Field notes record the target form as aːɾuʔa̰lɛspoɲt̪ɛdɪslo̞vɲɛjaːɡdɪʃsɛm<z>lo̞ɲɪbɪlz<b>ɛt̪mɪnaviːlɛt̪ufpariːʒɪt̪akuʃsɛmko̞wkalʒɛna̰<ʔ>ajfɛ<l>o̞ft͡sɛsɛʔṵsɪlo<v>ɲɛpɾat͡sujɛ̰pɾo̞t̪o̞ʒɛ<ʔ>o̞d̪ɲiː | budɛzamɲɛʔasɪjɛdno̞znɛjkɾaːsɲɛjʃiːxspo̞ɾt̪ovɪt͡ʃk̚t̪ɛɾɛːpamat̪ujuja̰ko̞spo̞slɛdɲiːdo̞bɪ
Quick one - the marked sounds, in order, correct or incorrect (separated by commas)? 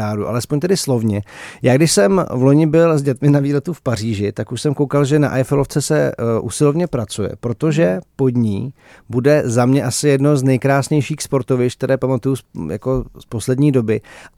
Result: incorrect, incorrect, correct, correct, correct, incorrect